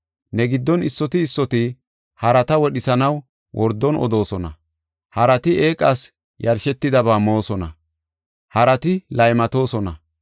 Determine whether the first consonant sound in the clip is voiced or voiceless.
voiced